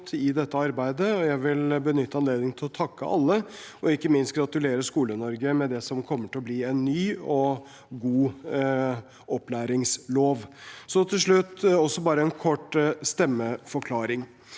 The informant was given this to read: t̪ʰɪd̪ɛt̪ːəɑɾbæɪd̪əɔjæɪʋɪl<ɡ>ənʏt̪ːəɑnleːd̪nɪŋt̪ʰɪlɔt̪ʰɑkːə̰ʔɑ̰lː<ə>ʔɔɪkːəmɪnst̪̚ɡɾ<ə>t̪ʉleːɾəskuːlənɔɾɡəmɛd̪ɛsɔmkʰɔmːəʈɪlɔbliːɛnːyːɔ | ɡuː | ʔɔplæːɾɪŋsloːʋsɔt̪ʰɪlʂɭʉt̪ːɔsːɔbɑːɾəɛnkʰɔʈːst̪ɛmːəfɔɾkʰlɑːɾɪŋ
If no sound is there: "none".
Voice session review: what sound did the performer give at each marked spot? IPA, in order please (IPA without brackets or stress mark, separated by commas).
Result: b, ə, ɑ